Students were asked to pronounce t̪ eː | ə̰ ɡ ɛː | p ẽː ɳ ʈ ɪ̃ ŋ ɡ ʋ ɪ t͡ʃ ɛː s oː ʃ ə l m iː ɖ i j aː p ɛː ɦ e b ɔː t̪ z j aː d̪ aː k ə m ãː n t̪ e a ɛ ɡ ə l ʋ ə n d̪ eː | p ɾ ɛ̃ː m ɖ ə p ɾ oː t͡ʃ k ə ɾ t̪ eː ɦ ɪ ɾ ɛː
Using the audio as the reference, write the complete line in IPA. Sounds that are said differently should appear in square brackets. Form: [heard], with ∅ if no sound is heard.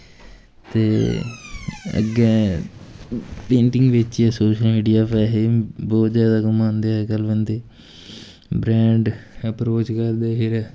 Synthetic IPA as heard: t̪ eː | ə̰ ɡ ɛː | p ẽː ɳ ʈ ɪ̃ ŋ ɡ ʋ ɪ t͡ʃ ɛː s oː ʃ ə l m iː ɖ i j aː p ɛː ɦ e b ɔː t̪ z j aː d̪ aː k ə m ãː n [d̪] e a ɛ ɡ ə l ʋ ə n d̪ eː | [b] ɾ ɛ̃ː [ɳ] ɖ ə p ɾ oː t͡ʃ k ə ɾ [d̪] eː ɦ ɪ ɾ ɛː